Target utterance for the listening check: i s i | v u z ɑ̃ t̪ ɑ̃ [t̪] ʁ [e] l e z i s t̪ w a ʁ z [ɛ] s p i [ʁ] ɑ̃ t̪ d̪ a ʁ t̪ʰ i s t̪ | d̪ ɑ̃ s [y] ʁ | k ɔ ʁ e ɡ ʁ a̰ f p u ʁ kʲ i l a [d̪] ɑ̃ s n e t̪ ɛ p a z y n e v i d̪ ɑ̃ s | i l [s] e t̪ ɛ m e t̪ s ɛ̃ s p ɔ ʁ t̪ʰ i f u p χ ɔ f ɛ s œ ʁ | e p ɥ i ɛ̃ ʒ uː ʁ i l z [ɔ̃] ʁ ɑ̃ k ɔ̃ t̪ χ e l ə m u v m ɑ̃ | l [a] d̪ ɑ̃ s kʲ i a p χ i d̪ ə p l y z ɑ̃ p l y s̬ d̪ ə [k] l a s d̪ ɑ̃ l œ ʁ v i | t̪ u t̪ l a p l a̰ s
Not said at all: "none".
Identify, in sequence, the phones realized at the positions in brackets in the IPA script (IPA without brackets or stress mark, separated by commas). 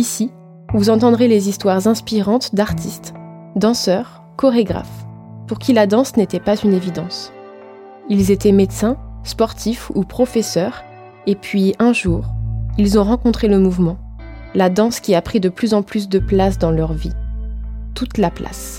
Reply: d̪, e, ɛ̃, ʁ, œ, d̪, z, ɔ̃, a, p